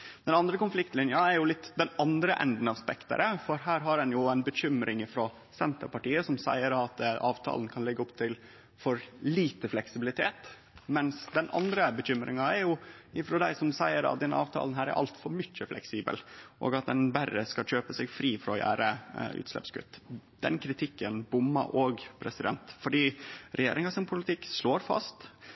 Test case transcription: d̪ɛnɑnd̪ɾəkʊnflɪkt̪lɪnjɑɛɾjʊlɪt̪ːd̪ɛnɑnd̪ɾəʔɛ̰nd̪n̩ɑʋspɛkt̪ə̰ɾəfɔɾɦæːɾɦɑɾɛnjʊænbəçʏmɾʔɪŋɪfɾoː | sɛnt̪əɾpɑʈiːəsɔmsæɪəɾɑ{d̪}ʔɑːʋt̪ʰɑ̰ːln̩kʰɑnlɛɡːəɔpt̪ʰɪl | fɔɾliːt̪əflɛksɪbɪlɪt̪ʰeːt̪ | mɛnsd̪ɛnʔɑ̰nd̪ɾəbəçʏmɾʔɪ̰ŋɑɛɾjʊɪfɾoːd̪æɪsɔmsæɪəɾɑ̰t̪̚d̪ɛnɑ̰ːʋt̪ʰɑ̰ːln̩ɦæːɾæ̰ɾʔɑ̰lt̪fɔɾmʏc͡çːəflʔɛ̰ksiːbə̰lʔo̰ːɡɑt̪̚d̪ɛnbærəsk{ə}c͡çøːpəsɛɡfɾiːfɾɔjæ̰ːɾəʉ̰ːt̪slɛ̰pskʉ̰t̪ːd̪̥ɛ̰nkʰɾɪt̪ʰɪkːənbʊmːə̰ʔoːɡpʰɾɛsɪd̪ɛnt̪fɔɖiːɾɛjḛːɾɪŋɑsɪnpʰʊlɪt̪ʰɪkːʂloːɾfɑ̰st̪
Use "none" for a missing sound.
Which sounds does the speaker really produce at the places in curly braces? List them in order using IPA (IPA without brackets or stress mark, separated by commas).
t̪, ɑ